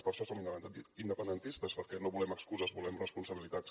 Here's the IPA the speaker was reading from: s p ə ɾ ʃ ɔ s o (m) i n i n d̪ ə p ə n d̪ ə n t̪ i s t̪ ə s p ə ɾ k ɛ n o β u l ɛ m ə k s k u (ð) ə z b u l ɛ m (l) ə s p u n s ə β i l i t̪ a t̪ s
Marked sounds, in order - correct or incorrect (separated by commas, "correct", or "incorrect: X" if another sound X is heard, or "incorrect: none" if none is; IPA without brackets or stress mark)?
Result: correct, incorrect: z, incorrect: r